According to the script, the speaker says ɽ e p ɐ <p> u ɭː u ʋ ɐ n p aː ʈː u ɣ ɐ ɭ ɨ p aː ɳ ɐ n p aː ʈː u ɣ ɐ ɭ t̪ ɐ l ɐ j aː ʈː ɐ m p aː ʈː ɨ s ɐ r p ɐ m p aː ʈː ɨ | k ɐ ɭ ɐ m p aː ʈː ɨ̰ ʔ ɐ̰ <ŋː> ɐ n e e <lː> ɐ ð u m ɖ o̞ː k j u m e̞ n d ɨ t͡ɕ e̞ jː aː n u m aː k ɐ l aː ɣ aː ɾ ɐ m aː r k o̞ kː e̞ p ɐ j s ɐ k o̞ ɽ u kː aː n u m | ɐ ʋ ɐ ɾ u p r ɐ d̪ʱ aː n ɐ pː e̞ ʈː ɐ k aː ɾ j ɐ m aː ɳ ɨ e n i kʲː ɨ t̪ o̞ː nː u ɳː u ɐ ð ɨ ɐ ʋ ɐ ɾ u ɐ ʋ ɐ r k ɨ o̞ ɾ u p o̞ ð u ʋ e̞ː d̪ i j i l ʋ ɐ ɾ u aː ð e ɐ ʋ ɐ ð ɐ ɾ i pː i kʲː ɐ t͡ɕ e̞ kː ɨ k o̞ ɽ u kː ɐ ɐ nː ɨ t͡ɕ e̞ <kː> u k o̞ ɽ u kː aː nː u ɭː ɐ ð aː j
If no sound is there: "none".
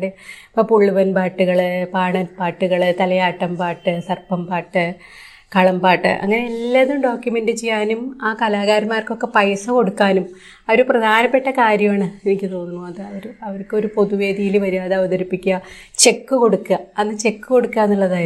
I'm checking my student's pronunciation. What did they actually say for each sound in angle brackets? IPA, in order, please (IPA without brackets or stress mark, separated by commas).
p, ŋː, lː, kː